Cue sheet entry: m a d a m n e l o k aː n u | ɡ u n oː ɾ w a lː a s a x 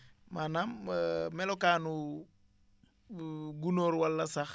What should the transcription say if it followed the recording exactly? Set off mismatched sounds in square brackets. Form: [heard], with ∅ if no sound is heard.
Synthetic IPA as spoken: m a [n] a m [m] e l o k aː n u | ɡ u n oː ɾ w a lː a s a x